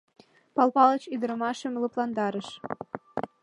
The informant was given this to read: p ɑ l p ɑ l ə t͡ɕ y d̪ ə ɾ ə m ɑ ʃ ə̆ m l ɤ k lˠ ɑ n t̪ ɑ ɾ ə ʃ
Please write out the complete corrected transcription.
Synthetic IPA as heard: p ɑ l p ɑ l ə t͡ɕ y d̪ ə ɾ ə m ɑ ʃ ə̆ m l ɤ p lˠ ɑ n d̪ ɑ ɾ ə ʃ